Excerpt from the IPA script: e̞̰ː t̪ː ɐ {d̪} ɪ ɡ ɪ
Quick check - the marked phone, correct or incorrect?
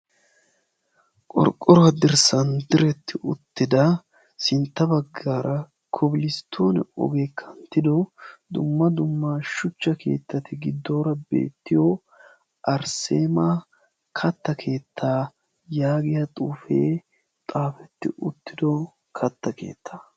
incorrect